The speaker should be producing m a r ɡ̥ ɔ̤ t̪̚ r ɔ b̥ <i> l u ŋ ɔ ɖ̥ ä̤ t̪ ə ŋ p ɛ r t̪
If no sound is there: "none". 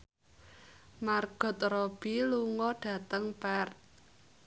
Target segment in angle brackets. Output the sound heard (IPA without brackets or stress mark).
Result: i